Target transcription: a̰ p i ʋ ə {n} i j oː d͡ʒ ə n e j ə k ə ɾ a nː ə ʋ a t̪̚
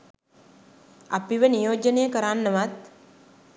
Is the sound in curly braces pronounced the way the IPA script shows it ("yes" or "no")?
yes